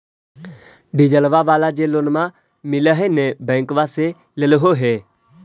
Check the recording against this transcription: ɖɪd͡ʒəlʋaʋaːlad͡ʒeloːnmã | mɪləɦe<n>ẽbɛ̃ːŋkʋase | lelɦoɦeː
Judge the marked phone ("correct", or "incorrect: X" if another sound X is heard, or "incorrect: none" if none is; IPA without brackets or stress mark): correct